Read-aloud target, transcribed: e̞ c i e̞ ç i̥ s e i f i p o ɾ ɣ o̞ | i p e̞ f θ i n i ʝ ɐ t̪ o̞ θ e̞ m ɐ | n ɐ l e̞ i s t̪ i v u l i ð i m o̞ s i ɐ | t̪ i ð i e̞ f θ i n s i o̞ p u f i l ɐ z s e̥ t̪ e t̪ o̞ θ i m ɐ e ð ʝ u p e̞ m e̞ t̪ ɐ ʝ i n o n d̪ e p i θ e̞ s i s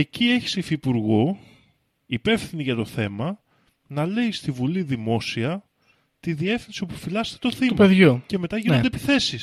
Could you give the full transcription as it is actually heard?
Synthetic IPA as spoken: e̞ c i e̞ ç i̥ s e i f i p u ɾ ɣ o̞ | i p e̞ f θ i n i ʝ ɐ t̪ o̞ θ e̞ m ɐ | n ɐ l e̞ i s t̪ i v u l i ð i m o̞ s i ɐ | t̪ i ð i e̞ f θ i n s i o̞ p u f i l ɐ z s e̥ t̪ e t̪ o̞ θ i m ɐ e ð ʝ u c e̞ m e̞ t̪ ɐ ʝ i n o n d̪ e p i θ e̞ s i s